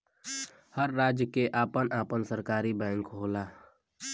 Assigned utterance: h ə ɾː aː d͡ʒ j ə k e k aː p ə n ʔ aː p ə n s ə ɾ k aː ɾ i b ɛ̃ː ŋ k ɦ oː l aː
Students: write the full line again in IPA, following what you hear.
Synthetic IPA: h ə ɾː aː d͡ʒ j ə k e ʔ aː p ə n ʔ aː p ə n s ə ɾ k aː ɾ i b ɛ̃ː ŋ k ɦ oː l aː